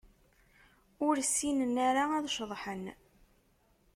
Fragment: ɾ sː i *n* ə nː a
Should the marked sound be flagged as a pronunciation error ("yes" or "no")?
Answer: no